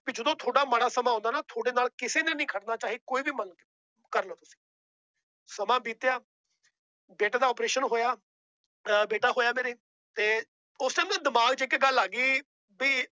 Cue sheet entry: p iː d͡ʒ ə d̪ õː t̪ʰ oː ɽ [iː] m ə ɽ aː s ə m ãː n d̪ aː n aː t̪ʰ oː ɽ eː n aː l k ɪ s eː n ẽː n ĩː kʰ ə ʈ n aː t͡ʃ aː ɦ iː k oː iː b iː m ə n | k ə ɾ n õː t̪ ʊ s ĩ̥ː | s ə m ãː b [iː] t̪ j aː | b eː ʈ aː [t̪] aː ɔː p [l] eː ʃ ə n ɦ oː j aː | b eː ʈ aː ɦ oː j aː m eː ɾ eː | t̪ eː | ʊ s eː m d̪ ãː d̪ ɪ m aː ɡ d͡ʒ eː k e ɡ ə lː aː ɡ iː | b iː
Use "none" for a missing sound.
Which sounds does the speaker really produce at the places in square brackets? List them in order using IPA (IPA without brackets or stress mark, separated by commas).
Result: aː, iː, d̪, ɾ